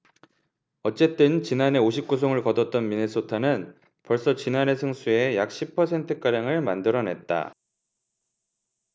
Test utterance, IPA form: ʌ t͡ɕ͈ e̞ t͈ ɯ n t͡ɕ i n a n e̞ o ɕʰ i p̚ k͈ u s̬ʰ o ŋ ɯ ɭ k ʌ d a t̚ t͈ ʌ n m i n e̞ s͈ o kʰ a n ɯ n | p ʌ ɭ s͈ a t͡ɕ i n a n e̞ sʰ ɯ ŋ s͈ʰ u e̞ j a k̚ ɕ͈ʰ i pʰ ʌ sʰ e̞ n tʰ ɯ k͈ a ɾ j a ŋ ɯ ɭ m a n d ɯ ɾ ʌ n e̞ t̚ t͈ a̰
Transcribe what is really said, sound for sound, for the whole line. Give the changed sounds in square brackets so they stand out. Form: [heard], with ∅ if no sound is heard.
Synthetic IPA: ʌ t͡ɕ͈ e̞ t͈ ɯ n t͡ɕ i n a n e̞ o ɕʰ i p̚ k͈ u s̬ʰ o ŋ ɯ ɭ k ʌ d [ʌ] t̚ t͈ ʌ n m i n e̞ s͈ o [tʰ] a n ɯ n | p ʌ ɭ s͈ [ʌ] t͡ɕ i n a n e̞ sʰ ɯ ŋ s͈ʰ u e̞ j a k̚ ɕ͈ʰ i pʰ ʌ sʰ e̞ n tʰ ɯ k͈ a ɾ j a ŋ ɯ ɭ m a n d ɯ ɾ ʌ n e̞ t̚ t͈ a̰